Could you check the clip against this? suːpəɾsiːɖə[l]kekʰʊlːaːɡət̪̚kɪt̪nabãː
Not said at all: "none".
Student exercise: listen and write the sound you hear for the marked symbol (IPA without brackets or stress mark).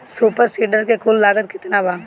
ɾ